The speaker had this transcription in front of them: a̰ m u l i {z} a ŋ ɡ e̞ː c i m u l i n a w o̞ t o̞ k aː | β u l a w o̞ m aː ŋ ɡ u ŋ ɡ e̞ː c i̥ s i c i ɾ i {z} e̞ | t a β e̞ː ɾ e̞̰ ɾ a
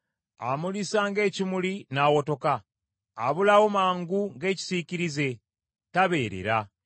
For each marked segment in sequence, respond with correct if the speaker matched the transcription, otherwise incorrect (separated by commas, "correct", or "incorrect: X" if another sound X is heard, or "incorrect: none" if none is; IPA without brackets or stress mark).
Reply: incorrect: s, correct